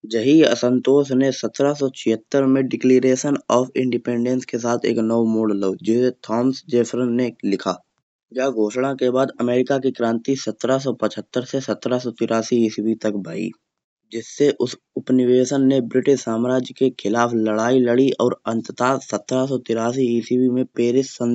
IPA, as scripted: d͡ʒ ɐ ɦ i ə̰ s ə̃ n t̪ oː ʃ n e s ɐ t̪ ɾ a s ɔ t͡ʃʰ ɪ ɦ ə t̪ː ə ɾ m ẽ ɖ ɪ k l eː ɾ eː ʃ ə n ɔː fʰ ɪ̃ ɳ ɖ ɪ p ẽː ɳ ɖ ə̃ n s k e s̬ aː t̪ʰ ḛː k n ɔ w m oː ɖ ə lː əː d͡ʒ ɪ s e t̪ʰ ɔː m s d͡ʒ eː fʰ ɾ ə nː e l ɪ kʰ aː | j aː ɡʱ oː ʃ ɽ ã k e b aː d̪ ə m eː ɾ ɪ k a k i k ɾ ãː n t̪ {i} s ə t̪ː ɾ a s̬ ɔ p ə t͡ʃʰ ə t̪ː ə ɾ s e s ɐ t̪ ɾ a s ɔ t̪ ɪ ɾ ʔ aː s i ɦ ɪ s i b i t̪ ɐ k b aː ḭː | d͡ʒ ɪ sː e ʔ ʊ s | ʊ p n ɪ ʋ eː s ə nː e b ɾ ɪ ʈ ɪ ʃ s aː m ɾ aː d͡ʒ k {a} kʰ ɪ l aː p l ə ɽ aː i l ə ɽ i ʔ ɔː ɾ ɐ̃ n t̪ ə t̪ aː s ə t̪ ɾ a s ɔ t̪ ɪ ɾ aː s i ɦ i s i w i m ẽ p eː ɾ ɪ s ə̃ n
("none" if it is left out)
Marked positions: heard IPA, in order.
i, e

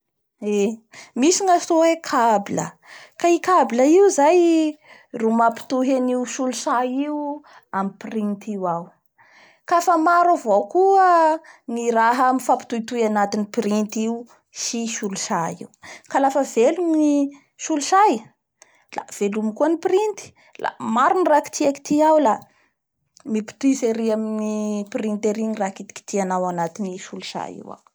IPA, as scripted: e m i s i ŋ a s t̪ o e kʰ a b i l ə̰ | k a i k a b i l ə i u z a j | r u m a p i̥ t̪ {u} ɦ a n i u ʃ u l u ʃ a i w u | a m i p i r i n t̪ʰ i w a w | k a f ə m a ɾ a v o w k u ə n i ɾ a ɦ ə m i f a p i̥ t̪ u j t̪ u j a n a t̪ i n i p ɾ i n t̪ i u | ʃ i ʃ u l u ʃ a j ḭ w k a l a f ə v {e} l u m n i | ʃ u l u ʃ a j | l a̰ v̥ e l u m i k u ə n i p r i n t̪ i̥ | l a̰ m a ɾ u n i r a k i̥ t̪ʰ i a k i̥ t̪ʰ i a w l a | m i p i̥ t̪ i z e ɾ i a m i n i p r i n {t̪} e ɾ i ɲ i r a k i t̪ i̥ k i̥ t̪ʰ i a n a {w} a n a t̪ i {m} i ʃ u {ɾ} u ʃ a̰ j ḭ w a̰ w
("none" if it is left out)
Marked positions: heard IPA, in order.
u, e, t̪, w, n, l

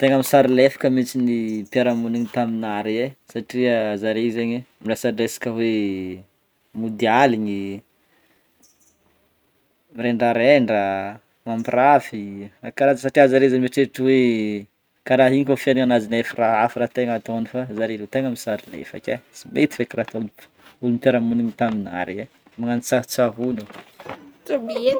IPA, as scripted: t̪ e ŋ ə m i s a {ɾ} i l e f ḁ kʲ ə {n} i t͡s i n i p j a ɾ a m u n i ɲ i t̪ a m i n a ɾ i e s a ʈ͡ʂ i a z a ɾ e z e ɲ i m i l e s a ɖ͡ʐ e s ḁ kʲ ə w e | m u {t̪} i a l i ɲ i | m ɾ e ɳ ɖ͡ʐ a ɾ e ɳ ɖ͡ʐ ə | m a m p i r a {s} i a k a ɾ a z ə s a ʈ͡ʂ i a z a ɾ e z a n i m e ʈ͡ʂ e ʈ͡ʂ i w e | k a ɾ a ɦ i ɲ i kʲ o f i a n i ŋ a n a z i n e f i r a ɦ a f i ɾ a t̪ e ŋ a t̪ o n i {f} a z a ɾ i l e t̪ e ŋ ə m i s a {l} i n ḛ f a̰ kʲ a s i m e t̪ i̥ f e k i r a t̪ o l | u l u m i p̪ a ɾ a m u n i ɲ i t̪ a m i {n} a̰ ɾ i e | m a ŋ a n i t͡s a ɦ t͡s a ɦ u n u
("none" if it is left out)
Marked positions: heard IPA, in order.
ɾ, m, d̪, f, f, ɾ, n

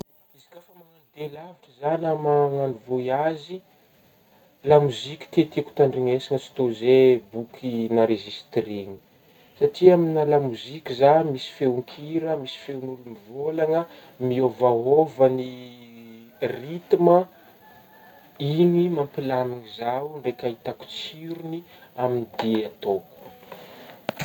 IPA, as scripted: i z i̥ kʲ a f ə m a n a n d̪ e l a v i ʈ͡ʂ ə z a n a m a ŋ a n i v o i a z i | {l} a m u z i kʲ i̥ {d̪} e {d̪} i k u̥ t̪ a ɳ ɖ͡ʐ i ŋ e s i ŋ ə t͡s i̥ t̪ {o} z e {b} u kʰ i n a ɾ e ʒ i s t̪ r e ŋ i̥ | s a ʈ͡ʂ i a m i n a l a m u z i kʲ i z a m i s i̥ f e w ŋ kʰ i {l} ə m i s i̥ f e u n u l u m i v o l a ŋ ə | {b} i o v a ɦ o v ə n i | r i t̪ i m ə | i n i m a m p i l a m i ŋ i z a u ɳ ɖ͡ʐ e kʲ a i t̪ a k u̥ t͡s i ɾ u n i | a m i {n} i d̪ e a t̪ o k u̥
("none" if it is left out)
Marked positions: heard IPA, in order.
l, t̪, t̪, o, b, ɾ, m, n

